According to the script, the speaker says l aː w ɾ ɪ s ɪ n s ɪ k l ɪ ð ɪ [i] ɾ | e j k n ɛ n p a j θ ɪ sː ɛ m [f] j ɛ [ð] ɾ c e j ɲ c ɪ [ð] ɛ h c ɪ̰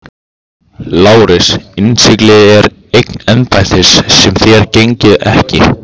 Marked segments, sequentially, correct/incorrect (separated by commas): incorrect, incorrect, incorrect, correct